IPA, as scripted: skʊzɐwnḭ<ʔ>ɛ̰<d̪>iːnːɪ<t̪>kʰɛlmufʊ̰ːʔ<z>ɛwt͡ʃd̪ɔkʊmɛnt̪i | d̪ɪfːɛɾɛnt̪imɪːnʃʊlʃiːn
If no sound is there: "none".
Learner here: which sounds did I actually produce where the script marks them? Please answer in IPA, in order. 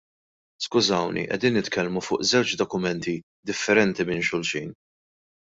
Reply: ʔ, d̪, t̪, z

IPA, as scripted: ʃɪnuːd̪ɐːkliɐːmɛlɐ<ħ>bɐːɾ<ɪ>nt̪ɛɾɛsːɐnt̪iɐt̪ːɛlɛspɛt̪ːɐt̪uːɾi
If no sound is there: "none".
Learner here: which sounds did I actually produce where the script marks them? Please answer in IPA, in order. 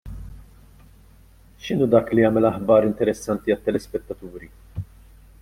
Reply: ħ, ɪ

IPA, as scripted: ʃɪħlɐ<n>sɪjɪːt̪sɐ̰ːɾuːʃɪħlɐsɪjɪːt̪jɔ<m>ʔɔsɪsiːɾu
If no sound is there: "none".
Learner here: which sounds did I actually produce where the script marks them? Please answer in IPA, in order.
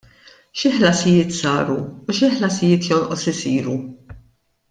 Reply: none, n

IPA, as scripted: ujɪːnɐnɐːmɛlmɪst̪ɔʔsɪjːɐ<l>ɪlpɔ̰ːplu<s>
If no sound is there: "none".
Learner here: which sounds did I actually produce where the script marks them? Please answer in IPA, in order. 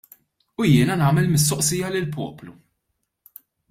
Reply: l, none

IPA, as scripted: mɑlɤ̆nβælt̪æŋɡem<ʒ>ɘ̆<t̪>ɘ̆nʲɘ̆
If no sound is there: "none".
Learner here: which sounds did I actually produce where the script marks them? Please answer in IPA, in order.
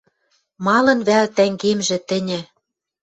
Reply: ʒ, t̪

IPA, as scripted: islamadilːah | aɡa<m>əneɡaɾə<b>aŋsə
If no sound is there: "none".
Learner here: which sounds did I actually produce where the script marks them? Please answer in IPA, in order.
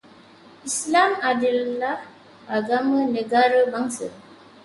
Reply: m, b

